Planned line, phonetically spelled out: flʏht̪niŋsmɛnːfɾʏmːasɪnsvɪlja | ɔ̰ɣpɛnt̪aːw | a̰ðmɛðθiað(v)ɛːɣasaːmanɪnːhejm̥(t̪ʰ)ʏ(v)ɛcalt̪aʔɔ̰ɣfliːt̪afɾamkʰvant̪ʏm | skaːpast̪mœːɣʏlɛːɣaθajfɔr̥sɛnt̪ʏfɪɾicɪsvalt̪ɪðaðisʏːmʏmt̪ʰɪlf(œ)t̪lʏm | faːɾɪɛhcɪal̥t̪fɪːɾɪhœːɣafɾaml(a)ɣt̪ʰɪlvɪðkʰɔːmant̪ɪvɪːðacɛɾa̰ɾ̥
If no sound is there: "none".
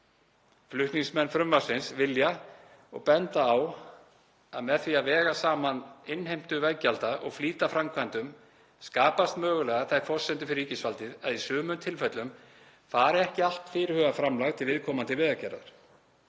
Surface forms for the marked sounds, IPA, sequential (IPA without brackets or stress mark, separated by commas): v, t̪, v, ɛ, a